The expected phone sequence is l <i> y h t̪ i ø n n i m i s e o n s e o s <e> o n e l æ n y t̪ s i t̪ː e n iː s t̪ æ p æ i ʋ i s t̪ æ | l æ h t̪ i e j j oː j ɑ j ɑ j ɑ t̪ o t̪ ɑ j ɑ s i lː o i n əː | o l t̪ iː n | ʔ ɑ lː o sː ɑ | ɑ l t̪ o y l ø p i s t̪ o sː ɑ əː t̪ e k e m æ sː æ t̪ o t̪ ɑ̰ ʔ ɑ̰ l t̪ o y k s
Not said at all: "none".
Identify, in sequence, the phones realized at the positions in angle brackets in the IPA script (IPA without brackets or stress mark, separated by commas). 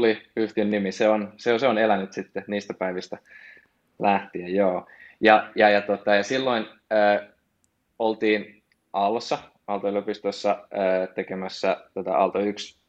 i, e